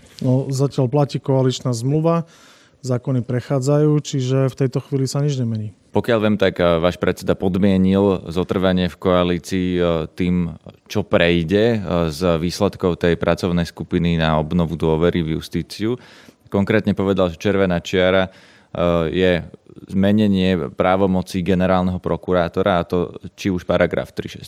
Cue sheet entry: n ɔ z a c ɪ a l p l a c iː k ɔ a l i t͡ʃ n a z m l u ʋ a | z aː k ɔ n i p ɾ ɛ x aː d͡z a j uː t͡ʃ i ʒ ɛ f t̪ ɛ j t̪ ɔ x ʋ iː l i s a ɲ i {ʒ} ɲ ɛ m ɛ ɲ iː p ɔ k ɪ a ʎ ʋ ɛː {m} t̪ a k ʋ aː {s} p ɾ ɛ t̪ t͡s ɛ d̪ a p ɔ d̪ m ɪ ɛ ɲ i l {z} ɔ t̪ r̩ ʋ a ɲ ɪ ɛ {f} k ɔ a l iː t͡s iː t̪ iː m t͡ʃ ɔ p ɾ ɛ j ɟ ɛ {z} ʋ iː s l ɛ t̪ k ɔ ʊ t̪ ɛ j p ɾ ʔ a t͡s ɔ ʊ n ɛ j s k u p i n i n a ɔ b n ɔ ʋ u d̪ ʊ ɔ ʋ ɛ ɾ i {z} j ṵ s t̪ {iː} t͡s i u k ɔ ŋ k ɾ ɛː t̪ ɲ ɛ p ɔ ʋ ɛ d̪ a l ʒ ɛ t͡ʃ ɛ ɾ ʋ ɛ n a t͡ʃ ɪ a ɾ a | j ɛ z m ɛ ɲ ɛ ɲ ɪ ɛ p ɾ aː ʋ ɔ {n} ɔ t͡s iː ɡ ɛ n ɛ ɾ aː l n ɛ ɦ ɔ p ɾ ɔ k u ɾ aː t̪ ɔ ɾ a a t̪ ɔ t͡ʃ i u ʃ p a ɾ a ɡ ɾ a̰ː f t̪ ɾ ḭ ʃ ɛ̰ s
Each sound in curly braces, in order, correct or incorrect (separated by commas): incorrect, correct, incorrect, correct, correct, correct, incorrect, correct, incorrect